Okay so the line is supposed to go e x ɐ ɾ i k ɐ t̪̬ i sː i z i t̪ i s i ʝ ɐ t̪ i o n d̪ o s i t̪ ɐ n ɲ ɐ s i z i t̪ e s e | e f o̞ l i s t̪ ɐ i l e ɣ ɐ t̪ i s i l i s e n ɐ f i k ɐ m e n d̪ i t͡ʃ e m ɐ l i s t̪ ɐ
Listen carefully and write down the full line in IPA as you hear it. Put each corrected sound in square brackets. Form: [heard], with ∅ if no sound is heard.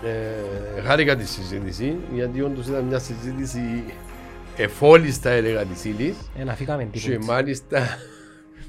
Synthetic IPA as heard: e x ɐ ɾ i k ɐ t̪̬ i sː i z i t̪ i s i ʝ ɐ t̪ i o n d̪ o s i t̪ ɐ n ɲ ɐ s i z i t̪ [i] s [i] | e f o̞ l i s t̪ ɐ [e] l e ɣ ɐ t̪ i s i l i s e n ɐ f i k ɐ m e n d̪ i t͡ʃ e m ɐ l i s t̪ ɐ